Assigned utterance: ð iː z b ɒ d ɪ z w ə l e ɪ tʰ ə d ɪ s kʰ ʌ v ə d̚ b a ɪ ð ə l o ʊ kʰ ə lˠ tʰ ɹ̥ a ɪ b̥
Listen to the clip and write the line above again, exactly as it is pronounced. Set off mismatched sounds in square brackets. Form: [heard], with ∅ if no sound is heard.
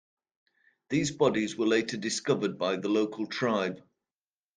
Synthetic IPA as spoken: ð iː z b ɒ d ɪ z w ə l e ɪ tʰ ə d ɪ s [k] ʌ v ə d̚ b a ɪ ð ə l o ʊ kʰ ə lˠ tʰ ɹ̥ a ɪ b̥